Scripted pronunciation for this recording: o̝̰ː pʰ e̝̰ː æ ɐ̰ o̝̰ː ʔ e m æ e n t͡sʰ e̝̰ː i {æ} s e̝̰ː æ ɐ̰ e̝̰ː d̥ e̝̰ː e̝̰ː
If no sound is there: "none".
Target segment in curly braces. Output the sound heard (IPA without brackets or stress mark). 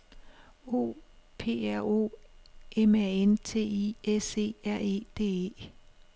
e